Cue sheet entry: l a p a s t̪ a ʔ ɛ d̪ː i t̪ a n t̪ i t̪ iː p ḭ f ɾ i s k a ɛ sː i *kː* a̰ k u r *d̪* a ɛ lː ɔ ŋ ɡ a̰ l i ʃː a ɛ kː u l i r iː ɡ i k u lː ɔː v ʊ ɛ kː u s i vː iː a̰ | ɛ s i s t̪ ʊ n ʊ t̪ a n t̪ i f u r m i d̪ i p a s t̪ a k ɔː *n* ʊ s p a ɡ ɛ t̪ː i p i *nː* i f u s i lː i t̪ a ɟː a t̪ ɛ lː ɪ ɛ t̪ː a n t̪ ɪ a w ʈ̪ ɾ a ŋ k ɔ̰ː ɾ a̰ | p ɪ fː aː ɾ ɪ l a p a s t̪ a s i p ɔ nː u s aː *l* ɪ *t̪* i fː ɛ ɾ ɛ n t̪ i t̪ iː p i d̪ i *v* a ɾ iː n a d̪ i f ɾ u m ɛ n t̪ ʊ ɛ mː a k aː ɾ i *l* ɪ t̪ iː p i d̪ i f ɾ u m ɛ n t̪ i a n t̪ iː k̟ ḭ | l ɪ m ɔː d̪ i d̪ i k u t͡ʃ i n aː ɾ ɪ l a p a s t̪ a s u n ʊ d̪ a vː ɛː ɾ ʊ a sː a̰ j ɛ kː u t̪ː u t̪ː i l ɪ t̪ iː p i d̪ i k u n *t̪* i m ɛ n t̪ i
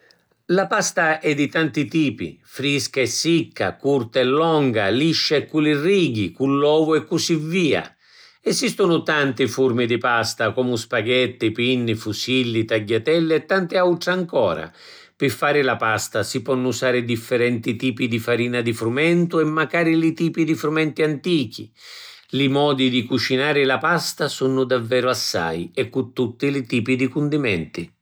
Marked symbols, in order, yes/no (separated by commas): yes, no, no, yes, no, no, no, yes, no